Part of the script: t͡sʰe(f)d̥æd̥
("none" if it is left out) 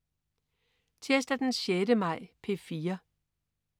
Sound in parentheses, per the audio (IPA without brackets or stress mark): s